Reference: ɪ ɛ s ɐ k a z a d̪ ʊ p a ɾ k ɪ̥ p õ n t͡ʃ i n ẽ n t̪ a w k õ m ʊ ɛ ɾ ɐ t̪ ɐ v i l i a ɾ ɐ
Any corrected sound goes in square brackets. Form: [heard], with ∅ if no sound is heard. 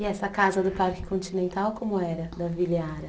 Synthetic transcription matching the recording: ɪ ɛ s ɐ k a z [ɐ] d̪ ʊ p a ɾ k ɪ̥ [k] õ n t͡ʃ i n ẽ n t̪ a w k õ m ʊ ɛ ɾ ɐ [d̪] ɐ v i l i a ɾ ɐ